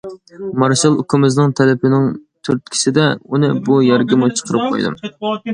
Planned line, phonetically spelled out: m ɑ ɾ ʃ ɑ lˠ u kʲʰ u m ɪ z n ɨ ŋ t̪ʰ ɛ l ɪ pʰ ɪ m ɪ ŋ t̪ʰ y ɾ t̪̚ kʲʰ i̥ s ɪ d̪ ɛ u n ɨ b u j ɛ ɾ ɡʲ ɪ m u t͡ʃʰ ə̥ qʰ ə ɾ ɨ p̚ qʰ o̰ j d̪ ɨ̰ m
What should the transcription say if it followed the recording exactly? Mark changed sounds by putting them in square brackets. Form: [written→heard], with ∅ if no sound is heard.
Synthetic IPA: m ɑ ɾ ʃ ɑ lˠ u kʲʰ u m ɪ z n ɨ ŋ t̪ʰ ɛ l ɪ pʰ ɪ [m→n] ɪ ŋ t̪ʰ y ɾ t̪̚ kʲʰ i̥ s ɪ d̪ ɛ u n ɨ b u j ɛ ɾ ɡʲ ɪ m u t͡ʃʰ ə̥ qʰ ə ɾ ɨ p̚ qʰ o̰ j d̪ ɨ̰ m